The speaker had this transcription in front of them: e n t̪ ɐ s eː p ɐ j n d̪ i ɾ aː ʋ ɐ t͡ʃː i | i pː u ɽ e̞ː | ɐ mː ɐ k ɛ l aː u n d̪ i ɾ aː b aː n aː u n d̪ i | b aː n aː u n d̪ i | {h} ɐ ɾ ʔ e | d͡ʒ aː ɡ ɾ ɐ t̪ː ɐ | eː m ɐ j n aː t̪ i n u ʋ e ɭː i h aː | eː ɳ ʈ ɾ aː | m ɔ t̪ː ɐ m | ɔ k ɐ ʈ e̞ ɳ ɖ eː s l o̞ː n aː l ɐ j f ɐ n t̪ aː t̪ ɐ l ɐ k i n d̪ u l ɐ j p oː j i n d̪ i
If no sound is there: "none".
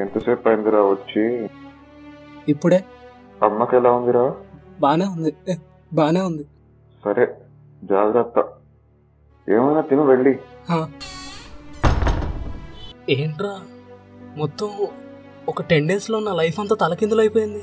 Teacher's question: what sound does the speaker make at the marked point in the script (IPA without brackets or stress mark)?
s